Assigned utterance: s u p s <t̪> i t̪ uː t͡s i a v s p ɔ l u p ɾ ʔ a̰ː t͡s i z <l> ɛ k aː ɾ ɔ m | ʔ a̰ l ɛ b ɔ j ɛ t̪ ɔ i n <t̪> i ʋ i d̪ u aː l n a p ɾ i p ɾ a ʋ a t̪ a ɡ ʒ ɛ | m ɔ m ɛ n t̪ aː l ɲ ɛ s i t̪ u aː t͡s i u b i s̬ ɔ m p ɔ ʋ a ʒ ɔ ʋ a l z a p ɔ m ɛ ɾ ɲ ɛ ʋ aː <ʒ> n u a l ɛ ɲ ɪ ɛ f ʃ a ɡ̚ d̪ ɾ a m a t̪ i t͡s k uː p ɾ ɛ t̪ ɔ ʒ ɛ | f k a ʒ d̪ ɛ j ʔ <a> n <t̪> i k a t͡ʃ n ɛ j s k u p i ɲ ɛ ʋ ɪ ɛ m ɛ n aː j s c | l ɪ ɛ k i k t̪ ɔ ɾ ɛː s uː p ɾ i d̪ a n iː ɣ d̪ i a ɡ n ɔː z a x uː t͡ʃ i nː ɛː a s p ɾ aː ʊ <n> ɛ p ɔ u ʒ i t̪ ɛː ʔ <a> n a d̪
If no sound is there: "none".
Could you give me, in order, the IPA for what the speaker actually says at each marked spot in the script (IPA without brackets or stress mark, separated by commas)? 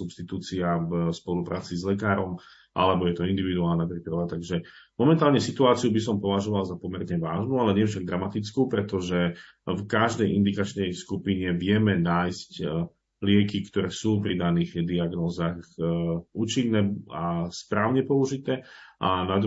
t̪, l, d̪, ʒ, i, d̪, ɲ, a